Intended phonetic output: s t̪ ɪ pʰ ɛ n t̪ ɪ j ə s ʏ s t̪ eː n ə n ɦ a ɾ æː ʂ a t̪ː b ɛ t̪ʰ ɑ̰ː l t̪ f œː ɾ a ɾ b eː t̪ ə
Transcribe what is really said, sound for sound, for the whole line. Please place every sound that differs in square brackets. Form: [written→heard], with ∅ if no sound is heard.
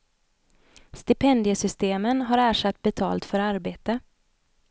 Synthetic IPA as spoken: s t̪ ɪ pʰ ɛ n [t̪→d̪] ɪ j ə s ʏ s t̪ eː [n→m] ə n ɦ a ɾ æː ʂ a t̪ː b ɛ t̪ʰ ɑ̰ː l t̪ f [œː→œ] ɾ a ɾ b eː t̪ ə